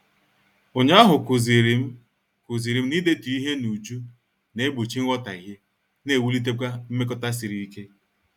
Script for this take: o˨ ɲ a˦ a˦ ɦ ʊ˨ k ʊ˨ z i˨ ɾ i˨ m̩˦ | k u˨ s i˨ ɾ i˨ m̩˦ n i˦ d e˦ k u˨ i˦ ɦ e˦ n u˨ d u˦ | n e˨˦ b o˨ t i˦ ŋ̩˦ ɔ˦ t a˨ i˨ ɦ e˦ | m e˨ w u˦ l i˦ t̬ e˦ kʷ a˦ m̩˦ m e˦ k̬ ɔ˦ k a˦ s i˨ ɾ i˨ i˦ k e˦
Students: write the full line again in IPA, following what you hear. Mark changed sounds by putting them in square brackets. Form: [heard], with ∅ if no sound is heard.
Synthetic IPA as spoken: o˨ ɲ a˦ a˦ ɦ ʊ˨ k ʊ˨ z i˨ ɾ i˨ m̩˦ | k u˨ [z] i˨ ɾ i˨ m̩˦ n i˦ d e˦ [t] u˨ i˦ ɦ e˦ n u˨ [d͡ʒ] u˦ | n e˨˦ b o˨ [t͡ʃ] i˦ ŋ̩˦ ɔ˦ t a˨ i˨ ɦ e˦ | [n] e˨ w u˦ l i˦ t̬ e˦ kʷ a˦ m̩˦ m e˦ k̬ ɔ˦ [t] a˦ s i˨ ɾ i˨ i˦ k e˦